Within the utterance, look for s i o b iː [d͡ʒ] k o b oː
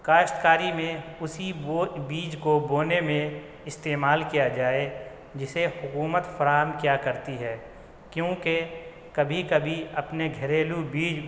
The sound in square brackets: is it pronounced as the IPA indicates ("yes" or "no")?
yes